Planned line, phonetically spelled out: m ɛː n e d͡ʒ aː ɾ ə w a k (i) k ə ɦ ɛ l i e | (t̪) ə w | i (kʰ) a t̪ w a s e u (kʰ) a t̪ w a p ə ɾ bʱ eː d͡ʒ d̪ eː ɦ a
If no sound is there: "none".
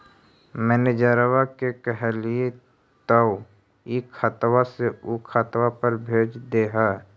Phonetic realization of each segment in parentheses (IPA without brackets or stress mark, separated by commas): e, t̪, kʰ, kʰ